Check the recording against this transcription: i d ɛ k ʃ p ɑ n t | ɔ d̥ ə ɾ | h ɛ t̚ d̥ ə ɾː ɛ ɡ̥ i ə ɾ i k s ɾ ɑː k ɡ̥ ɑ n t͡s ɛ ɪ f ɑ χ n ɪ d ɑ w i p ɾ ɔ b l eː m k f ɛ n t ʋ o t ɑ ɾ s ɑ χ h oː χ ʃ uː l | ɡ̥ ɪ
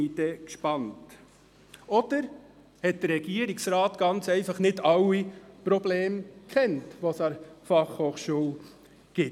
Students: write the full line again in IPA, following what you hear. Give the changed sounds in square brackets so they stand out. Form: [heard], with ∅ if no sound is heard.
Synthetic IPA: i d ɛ k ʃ p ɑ n t | ɔ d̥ ə ɾ | h ɛ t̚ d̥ ə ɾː ɛ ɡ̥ i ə ɾ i k s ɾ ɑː [t] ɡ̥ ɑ n t͡s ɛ ɪ f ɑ χ n ɪ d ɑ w i p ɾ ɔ b l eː m k [χ] ɛ n t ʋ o [s] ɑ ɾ [f] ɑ χ h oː χ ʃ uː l | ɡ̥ ɪ